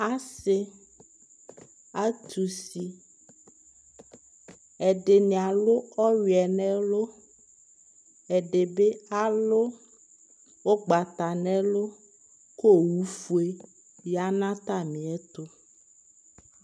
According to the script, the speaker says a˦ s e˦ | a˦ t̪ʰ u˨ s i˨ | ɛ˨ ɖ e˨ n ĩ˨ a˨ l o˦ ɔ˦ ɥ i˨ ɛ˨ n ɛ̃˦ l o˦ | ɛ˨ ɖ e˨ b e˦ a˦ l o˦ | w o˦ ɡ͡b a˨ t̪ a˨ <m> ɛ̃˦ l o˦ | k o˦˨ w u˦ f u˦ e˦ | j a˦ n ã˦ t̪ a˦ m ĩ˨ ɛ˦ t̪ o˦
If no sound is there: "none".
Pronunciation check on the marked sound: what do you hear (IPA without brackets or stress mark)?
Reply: n